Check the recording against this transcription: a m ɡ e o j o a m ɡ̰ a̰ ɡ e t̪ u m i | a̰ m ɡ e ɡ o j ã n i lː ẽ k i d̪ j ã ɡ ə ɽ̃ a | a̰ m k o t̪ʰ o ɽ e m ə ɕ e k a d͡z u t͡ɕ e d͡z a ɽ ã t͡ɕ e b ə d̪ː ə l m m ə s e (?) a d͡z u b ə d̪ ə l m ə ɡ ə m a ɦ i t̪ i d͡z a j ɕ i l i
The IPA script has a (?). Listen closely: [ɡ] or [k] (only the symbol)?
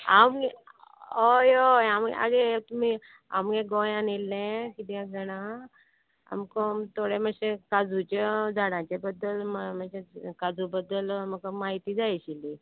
k